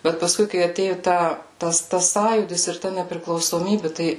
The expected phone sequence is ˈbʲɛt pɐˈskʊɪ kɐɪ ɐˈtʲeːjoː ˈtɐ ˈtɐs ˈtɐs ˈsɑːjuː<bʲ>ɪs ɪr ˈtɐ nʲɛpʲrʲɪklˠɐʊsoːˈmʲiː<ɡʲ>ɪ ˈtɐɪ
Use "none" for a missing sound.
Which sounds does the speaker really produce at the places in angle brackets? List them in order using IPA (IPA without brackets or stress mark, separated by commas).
dʲ, bʲ